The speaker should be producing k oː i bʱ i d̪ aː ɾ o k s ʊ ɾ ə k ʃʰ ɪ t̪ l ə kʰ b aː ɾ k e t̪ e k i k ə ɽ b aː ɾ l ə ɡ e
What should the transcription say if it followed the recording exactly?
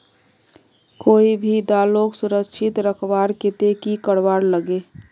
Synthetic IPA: k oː i bʱ i d̪ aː l o k s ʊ ɾ ə k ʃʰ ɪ t̪ ɾ ə kʰ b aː ɾ k e t̪ e k i k ə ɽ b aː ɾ l ə ɡ e